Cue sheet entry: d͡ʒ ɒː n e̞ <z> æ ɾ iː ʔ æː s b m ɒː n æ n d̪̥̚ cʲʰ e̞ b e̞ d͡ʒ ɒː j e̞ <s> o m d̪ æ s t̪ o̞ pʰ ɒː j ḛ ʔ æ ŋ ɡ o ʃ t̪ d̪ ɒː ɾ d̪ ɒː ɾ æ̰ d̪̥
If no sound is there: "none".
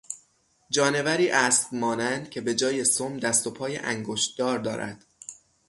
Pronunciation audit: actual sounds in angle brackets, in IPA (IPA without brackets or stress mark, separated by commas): v, s